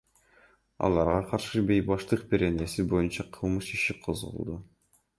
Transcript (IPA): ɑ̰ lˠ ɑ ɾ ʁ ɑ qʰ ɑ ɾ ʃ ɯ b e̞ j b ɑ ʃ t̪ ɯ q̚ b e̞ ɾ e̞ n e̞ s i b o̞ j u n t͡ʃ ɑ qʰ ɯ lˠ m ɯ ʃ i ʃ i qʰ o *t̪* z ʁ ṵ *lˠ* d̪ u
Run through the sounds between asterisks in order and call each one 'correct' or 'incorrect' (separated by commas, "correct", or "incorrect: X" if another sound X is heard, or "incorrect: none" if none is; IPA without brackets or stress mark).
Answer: incorrect: none, correct